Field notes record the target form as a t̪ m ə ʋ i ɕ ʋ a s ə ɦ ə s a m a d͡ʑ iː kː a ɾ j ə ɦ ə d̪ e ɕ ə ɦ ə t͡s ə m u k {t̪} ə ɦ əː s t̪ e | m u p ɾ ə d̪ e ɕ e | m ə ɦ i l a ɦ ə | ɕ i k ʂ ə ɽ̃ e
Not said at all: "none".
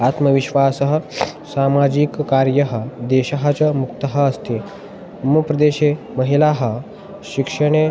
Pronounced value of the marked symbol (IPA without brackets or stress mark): t̪